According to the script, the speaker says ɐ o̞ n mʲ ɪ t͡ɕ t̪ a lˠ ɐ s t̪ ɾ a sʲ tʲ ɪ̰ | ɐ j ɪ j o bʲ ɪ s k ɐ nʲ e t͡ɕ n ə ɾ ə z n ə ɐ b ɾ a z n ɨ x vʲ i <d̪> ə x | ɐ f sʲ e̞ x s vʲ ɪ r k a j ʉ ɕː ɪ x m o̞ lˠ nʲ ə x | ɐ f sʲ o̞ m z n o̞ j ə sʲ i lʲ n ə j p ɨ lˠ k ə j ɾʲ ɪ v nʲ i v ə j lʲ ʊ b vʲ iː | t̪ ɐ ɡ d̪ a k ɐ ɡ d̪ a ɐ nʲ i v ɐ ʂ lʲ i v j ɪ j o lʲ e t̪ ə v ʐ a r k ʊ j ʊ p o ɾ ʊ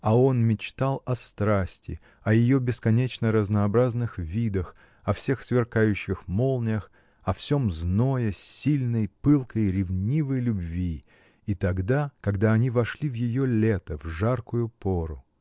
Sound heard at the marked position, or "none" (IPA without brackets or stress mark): d̪